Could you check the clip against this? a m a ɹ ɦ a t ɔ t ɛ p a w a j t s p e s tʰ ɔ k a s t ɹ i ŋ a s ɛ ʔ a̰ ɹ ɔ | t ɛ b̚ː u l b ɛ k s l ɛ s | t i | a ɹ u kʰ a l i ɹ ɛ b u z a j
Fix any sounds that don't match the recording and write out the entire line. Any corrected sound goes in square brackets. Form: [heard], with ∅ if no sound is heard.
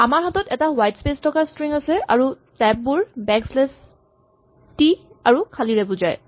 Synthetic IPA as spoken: a m a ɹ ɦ a t ɔ t ɛ [t] a w a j t s p e s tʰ ɔ k a s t ɹ i ŋ a s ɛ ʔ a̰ ɹ [u] | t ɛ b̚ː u [ɹ] b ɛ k s l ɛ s | t i | a ɹ u kʰ a l i ɹ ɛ b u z a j

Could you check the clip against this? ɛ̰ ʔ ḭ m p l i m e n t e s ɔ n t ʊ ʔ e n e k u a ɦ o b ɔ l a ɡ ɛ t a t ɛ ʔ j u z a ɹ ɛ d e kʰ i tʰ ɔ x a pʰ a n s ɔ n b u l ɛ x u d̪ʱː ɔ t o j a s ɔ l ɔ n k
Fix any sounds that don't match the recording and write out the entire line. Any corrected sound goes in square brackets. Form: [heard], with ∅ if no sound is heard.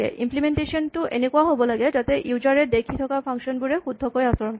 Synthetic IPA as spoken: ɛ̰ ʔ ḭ m p l i m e n t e s ɔ n t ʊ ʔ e n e k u a ɦ o b ɔ l a ɡ ɛ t a t ɛ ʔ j u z a ɹ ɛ d e kʰ i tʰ ɔ [k] a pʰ a [ŋ] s ɔ n b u [ɹ] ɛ x u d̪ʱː ɔ [k] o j a s ɔ [ɹ] ɔ n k

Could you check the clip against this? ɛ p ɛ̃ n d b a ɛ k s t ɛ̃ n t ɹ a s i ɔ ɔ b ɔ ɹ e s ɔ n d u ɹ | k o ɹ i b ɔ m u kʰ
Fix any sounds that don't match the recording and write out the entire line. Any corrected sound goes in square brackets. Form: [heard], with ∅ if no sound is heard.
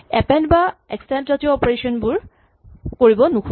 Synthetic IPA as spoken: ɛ p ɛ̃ n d b a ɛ k s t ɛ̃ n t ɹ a [t] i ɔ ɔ [p] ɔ ɹ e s ɔ n [b] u ɹ | k o ɹ i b ɔ [n] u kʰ

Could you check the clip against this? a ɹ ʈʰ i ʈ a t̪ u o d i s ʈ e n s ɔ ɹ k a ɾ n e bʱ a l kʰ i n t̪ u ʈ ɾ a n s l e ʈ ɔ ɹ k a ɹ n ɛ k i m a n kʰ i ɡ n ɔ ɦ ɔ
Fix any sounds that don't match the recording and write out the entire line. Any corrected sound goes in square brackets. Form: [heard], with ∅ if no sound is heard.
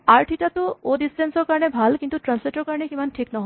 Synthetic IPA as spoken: a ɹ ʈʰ i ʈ a t̪ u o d i s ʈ e n s ɔ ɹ k a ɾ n e bʱ a l [k] i n t̪ u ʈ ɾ a n s l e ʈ ɔ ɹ k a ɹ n [e] k i m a n [ʈʰ] i [k] n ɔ ɦ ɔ

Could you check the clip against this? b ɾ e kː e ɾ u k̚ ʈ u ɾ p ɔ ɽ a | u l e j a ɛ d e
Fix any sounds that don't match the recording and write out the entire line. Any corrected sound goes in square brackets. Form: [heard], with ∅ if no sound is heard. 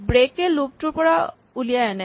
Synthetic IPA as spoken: b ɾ e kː e [l] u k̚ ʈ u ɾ p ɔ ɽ a | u l [i] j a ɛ [n] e

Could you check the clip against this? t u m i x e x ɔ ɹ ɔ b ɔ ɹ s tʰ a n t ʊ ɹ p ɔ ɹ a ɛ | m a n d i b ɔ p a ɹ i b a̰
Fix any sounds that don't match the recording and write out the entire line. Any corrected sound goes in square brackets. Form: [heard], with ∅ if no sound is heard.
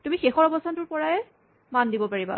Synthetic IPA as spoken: t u m i x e x ɔ ɹ ɔ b ɔ [∅] s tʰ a n t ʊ ɹ p ɔ ɹ a ɛ | m a n d i b ɔ p a ɹ i b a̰

